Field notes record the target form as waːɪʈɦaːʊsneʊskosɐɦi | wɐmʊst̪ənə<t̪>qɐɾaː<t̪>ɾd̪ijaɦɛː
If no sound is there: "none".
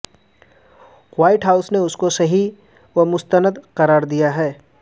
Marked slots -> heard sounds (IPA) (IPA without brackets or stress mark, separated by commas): d̪, none